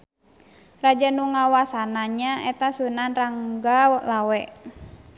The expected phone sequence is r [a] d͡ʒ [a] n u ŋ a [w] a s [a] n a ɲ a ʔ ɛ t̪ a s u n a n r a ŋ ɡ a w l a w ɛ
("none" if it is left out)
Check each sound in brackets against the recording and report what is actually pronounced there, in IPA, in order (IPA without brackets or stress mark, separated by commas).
a, a, w, a